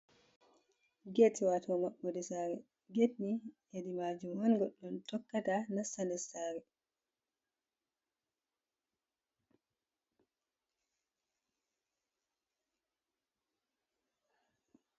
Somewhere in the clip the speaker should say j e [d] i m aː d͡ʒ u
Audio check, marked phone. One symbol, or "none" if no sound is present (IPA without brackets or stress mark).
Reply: d